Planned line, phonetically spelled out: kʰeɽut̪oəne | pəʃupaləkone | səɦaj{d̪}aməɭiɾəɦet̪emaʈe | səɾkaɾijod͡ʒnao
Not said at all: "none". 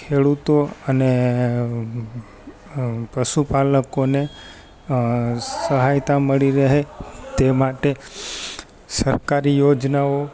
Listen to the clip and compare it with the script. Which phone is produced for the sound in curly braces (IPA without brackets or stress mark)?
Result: t̪